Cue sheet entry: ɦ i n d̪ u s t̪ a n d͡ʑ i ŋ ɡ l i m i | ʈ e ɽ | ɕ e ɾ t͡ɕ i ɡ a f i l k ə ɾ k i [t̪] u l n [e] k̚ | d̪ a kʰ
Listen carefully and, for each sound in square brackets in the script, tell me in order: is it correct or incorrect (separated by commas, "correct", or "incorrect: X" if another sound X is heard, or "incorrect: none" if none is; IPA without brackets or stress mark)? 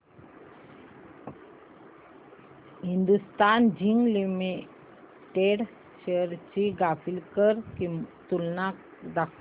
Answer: correct, incorrect: a